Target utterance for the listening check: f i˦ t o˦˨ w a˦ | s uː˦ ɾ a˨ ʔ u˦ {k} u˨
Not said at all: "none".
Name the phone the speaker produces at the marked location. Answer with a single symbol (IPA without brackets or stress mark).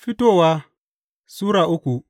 k